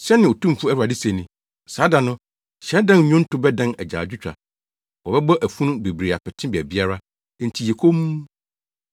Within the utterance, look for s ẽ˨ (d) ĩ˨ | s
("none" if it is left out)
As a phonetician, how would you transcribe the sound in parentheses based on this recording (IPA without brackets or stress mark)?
n